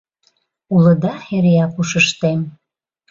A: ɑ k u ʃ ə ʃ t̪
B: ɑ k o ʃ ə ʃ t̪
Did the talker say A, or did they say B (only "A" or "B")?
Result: A